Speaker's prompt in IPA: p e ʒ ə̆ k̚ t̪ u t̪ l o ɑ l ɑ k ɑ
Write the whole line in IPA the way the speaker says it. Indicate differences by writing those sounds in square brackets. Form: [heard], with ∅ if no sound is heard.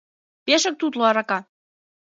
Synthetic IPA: p e [ʃ] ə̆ k̚ t̪ u t̪ l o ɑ [ɾ] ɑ k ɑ